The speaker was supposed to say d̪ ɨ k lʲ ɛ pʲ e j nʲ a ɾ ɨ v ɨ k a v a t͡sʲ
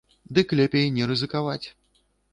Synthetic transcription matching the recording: d̪ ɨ k lʲ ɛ pʲ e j nʲ ɛ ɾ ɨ z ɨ k a v a t͡sʲ

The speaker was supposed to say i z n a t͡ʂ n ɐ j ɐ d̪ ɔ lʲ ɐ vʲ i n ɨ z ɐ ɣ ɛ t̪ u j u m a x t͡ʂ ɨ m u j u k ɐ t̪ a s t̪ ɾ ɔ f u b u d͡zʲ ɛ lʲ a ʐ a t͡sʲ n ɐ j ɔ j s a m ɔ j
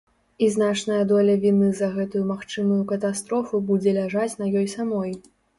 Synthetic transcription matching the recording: i z n a t͡ʂ n ɐ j ɐ d̪ ɔ lʲ ɐ vʲ i n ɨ z ɐ ɣ ɛ t̪ u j u m a x t͡ʂ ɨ m u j u k ɐ t̪ a s t̪ ɾ ɔ f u b u d͡zʲ ɛ lʲ a ʐ a t͡sʲ n ɐ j ɔ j s a m ɔ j

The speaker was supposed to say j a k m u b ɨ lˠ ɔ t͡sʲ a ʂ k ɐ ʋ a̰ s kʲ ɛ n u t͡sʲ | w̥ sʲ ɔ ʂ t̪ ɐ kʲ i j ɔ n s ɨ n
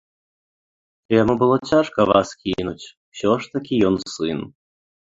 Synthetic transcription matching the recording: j a m u b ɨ lˠ ɔ t͡sʲ a ʂ k ɐ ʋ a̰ s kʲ i n u t͡sʲ | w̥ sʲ ɔ ʂ t̪ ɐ kʲ i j ɔ n s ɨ n

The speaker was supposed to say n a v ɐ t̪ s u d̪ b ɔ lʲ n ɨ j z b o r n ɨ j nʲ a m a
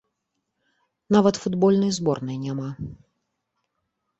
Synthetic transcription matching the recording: n a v ɐ t̪ f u d̪ b ɔ lʲ n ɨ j z b ɔ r n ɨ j nʲ a m a

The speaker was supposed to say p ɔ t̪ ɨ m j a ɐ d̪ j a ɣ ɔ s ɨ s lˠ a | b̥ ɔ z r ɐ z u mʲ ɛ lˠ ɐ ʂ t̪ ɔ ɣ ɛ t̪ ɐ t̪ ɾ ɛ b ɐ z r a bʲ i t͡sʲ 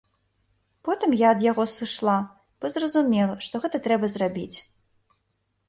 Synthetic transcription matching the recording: p ɔ t̪ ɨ m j a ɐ d̪ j a ɣ ɔ s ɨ ʂ lˠ a | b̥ ɔ z r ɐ z u mʲ ɛ lˠ ɐ ʂ t̪ ɔ ɣ ɛ t̪ ɐ t̪ ɾ ɛ b ɐ z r a bʲ i t͡sʲ

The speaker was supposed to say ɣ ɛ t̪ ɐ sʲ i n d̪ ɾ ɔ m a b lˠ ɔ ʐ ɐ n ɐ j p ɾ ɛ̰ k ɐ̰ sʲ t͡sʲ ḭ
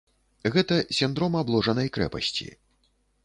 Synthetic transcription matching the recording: ɣ ɛ t̪ ɐ sʲ i n d̪ ɾ ɔ m a b lˠ ɔ ʐ ɐ n ɐ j k ɾ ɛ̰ p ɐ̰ sʲ t͡sʲ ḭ

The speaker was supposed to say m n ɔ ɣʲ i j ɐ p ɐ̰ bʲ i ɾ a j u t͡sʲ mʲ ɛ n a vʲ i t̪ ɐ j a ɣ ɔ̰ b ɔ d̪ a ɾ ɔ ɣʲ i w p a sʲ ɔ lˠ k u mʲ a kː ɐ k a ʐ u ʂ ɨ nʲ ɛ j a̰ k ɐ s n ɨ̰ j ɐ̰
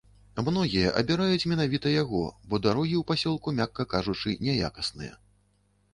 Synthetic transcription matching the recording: m n ɔ ɣʲ i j ɐ ʔ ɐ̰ bʲ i ɾ a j u t͡sʲ mʲ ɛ n a vʲ i t̪ ɐ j a ɣ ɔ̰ b ɔ d̪ a ɾ ɔ ɣʲ i w p a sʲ ɔ lˠ k u mʲ a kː ɐ k a ʐ u t͡ʂ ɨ nʲ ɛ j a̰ k ɐ s n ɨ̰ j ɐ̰

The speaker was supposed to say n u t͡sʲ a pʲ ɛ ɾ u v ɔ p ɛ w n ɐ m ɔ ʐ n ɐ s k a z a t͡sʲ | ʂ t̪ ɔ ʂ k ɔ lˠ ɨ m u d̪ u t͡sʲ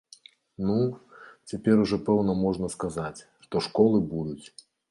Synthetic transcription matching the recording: n u t͡sʲ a pʲ ɛ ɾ u ʐ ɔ p ɛ w n ɐ m ɔ ʐ n ɐ s k a z a t͡sʲ | ʂ t̪ ɔ ʂ k ɔ lˠ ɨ b u d̪ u t͡sʲ

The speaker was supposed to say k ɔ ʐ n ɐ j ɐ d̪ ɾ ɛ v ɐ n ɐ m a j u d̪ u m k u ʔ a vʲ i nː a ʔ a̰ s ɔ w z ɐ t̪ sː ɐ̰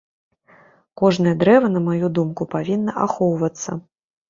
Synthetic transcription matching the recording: k ɔ ʐ n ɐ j ɐ d̪ ɾ ɛ v ɐ n ɐ m a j u d̪ u m k u p a vʲ i nː ɐ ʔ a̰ x ɔ w v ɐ t̪ sː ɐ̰

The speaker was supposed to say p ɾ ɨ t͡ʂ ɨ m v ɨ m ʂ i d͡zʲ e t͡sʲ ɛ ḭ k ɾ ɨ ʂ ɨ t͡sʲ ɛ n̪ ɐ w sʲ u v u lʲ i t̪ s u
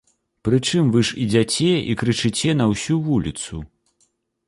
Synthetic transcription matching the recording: p ɾ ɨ t͡ʂ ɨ m v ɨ ʂ i d͡zʲ a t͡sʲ ɛ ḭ k ɾ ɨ t͡ʂ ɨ t͡sʲ ɛ n̪ ɐ w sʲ u v u lʲ i t̪ s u

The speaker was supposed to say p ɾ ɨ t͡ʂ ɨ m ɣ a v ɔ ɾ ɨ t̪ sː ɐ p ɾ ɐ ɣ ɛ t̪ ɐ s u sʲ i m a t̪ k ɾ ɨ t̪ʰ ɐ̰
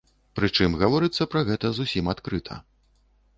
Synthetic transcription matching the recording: p ɾ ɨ t͡ʂ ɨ m ɣ a v ɔ ɾ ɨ t̪ sː ɐ p ɾ ɐ ɣ ɛ t̪ ɐ z u sʲ i m a t̪ k ɾ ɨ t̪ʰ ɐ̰

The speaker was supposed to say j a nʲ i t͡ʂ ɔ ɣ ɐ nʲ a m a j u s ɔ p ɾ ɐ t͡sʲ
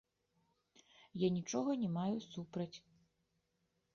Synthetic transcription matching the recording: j a nʲ i t͡ʂ ɔ ɣ ɐ nʲ ɛ m a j u s u p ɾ ɐ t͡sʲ

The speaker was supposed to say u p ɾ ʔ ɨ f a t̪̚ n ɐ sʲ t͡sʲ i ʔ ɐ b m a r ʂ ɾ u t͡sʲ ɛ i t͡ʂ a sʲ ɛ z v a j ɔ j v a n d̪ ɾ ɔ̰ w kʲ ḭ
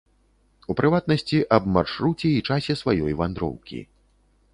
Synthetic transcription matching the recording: u p ɾ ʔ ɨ v a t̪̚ n ɐ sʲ t͡sʲ i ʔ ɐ b m a r ʂ ɾ u t͡sʲ ɛ i t͡ʂ a sʲ ɛ s v a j ɔ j v a n d̪ ɾ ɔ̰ w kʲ ḭ

